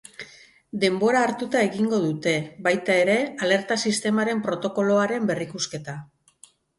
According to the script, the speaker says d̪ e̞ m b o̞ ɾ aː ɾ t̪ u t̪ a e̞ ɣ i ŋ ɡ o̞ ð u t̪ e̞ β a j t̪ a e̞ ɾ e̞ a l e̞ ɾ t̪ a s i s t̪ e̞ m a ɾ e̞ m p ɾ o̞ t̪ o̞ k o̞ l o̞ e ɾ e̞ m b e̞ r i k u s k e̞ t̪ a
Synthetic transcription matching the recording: d̪ e̞ m b o̞ ɾ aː ɾ t̪ u t̪ a e̞ ɣ i ŋ ɡ o̞ ð u t̪ e̞ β a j t̪ a e̞ ɾ e̞ a l e̞ ɾ t̪ a s i s t̪ e̞ m a ɾ e̞ m p ɾ o̞ t̪ o̞ k o̞ l o̞ a ɾ e̞ m b e̞ r i k u s k e̞ t̪ a

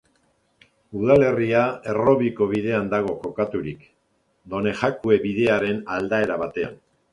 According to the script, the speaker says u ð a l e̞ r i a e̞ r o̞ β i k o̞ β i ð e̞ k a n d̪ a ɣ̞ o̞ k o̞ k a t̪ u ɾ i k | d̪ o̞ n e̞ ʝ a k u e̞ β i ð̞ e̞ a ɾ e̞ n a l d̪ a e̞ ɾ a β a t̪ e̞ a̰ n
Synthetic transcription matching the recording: u ð a l e̞ r i a e̞ r o̞ β i k o̞ β i ð e̞ a n d̪ a ɣ̞ o̞ k o̞ k a t̪ u ɾ i k | d̪ o̞ n e̞ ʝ a k u e̞ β i ð̞ e̞ a ɾ e̞ n a l d̪ a e̞ ɾ a β a t̪ e̞ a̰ n

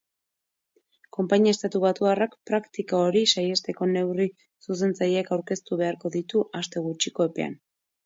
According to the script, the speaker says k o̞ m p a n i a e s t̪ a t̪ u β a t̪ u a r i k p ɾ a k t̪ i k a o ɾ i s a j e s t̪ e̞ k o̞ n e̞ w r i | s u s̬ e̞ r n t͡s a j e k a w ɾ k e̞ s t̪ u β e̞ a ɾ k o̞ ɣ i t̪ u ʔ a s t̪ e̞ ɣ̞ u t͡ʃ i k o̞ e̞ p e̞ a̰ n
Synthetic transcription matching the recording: k o̞ m p a ɲ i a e s t̪ a t̪ u β a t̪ u a r a k p ɾ a k t̪ i k a o ɾ i s a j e s t̪ e̞ k o̞ n e̞ w r i | s u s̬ e̞ n t͡s a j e k a w ɾ k e̞ s t̪ u β e̞ a ɾ k o̞ ð i t̪ u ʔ a s t̪ e̞ ɣ̞ u t͡ʃ i k o̞ e̞ p e̞ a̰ n

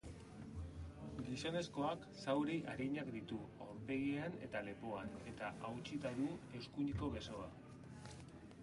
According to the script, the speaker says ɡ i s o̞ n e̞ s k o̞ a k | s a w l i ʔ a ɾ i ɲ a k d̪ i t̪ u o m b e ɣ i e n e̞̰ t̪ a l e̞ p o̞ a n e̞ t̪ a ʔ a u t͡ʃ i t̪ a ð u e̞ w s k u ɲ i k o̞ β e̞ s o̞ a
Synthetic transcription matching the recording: ɡ i s o̞ n e̞ s k o̞ a k | s a w ɾ i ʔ a ɾ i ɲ a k d̪ i t̪ u o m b e ɣ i a n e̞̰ t̪ a l e̞ p o̞ a n e̞ t̪ a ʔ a w t͡ʃ i t̪ a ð u e̞ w s k u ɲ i k o̞ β e̞ s o̞ a

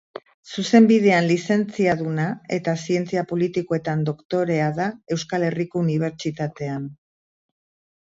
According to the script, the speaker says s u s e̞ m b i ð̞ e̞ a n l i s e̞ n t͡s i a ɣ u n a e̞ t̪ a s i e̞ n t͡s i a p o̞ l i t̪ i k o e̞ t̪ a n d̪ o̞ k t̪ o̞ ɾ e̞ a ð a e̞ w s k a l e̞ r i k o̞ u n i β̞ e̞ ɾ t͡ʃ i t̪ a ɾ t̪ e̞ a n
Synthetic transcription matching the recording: s u s e̞ m b i ð̞ e̞ a n l i s e̞ n t͡s i a ð u n a e̞ t̪ a s i e̞ n t͡s i a p o̞ l i t̪ i k o e̞ t̪ a n d̪ o̞ k t̪ o̞ ɾ e̞ a ð a e̞ w s k a l e̞ r i k o̞ u n i β̞ e̞ ɾ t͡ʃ i t̪ a t̪ e̞ a n

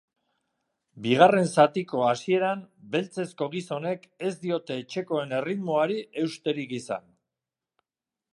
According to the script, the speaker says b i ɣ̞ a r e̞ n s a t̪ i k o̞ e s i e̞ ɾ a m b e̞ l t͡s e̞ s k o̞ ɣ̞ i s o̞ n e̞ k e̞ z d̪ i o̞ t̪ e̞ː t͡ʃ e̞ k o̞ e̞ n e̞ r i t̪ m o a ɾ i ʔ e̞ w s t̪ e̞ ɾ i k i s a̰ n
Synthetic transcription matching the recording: b i ɣ̞ a r e̞ n s a t̪ i k o̞ a s i e̞ ɾ a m b e̞ l t͡s e̞ s k o̞ ɣ̞ i s o̞ n e̞ k e̞ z d̪ i o̞ t̪ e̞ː t͡ʃ e̞ k o̞ e̞ n e̞ r i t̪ m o a ɾ i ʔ e̞ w s t̪ e̞ ɾ i k i s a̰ n

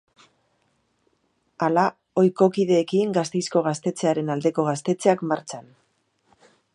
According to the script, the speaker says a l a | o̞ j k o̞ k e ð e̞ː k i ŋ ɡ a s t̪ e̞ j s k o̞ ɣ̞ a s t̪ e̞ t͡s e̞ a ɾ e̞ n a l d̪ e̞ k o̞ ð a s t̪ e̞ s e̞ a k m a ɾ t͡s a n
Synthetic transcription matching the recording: a l a | o̞ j k o̞ k i ð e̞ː k i ŋ ɡ a s t̪ e̞ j s k o̞ ɣ̞ a s t̪ e̞ t͡s e̞ a ɾ e̞ n a l d̪ e̞ k o̞ ɣ a s t̪ e̞ t͡s e̞ a k m a ɾ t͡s a n

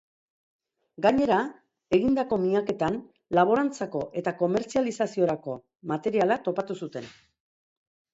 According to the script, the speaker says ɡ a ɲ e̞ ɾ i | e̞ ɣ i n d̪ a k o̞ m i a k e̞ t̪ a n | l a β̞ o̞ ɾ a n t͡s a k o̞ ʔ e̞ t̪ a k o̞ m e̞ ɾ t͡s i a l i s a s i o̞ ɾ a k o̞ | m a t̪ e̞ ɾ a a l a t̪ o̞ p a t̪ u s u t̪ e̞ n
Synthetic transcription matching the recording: ɡ a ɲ e̞ ɾ a | e̞ ɣ i n d̪ a k o̞ m i a k e̞ t̪ a n | l a β̞ o̞ ɾ a n t͡s a k o̞ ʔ e̞ t̪ a k o̞ m e̞ ɾ t͡s i a l i s a s i o̞ ɾ a k o̞ | m a t̪ e̞ ɾ i a l a t̪ o̞ p a t̪ u s u t̪ e̞ n

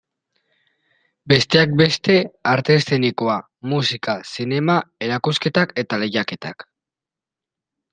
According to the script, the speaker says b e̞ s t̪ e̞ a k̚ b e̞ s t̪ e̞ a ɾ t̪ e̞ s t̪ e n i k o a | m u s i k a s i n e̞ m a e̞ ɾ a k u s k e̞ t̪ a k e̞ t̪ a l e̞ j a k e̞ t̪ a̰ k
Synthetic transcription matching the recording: b e̞ s t̪ e̞ a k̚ b e̞ s t̪ e̞ a ɾ t̪ e̞ s t̪ e n i k o a | m u s i k a s i n e̞ m a e̞ ɾ a k u s k e̞ t̪ a k e̞ t̪ a l e̞ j a k e̞ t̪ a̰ k

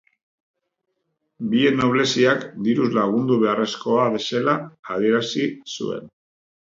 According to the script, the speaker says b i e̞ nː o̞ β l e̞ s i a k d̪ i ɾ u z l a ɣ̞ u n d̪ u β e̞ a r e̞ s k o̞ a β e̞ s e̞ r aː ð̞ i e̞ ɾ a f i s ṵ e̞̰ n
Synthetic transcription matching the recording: b i e̞ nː o̞ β l e̞ s i a k d̪ i ɾ u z l a ɣ̞ u n d̪ u β e̞ a r e̞ s k o̞ a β e̞ s e̞ l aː ð̞ i e̞ ɾ a s i s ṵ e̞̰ n

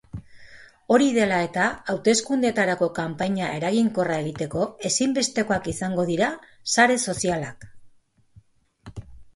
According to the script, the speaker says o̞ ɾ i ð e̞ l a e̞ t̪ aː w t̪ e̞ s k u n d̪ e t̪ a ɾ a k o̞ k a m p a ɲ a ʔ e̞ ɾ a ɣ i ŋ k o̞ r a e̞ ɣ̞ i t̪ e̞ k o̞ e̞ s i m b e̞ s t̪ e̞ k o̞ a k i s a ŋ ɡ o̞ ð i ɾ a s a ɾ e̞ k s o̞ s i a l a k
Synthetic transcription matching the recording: o̞ ɾ i ð e̞ l a e̞ t̪ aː w t̪ e̞ s k u n d̪ e t̪ a ɾ a k o̞ k a m p a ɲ a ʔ e̞ ɾ a ɣ i ŋ k o̞ r a e̞ ɣ̞ i t̪ e̞ k o̞ e̞ s i m b e̞ s t̪ e̞ k o̞ a k i s a ŋ ɡ o̞ ð i ɾ a s a ɾ e̞ s o̞ s i a l a k

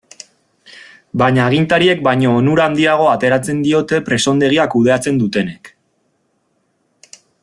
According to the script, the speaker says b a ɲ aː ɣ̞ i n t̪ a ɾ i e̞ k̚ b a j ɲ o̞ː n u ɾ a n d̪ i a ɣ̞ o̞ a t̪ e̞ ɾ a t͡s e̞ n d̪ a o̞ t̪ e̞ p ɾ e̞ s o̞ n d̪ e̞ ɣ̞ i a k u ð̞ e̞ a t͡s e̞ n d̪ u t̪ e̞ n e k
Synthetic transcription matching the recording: b a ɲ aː ɣ̞ i n t̪ a ɾ i e̞ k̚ b a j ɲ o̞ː n u ɾ a n d̪ i a ɣ̞ o̞ a t̪ e̞ ɾ a t͡s e̞ n d̪ i o̞ t̪ e̞ p ɾ e̞ s o̞ n d̪ e̞ ɣ̞ i a k u ð̞ e̞ a t͡s e̞ n d̪ u t̪ e̞ n e k

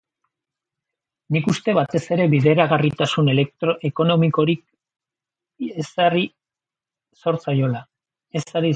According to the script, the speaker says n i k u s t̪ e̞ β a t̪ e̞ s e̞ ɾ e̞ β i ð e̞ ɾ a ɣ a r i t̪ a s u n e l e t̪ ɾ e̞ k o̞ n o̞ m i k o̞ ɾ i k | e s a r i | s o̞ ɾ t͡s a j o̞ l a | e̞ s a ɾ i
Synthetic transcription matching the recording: n i k u s t̪ e̞ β a t̪ e̞ s e̞ ɾ e̞ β i ð e̞ ɾ a ɣ a r i t̪ a s u n e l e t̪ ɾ e̞ k o̞ n o̞ m i k o̞ ɾ i k | e s a r i | s o̞ ɾ t͡s a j o̞ l a | e̞ s a ɾ i

